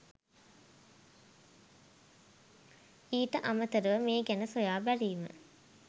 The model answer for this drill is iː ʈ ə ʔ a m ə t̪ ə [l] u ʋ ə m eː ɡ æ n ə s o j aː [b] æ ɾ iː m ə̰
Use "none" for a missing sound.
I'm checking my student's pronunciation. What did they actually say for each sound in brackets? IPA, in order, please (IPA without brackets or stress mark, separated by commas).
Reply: ɾ, b